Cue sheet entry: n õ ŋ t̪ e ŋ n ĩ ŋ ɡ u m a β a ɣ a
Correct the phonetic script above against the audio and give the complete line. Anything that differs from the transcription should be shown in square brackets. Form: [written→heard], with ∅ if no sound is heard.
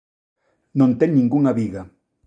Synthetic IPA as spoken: n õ [ŋ→n] t̪ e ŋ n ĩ ŋ ɡ u [m→ŋ] a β [a→i] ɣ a